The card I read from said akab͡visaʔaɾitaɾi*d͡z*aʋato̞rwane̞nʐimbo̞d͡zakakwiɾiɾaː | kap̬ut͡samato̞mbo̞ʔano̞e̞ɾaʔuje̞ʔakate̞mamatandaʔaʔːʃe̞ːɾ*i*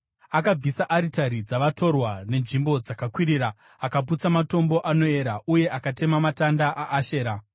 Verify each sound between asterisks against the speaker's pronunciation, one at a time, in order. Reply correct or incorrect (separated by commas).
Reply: correct, incorrect